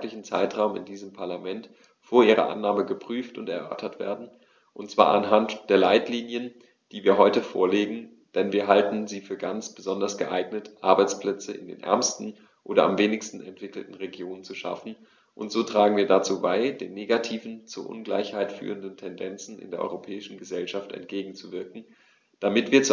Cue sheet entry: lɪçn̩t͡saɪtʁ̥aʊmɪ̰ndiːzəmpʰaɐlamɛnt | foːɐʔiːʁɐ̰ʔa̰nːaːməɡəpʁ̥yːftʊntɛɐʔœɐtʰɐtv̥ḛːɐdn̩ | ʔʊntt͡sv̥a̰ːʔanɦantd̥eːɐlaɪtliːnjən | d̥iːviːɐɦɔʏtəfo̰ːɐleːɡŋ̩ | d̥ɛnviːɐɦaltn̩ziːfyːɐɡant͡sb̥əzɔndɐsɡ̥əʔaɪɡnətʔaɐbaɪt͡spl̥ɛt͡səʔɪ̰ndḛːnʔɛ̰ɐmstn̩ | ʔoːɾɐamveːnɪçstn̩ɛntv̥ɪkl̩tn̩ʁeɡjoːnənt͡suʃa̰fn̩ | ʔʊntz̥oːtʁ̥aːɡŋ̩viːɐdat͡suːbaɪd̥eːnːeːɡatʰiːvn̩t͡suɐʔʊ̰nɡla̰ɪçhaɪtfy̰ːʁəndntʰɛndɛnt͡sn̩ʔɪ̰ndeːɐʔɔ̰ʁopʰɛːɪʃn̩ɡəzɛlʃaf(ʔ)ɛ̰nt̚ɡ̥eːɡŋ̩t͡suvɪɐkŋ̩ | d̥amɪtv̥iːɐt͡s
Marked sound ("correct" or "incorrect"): incorrect